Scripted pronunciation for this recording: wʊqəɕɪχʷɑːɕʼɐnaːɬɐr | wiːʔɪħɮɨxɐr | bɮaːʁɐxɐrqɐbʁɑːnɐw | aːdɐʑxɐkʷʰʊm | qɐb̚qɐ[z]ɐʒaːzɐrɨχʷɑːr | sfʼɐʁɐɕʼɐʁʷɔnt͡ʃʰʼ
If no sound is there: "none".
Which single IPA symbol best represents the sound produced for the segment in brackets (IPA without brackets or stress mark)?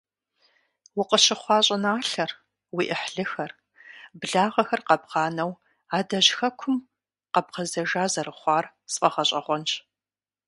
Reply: z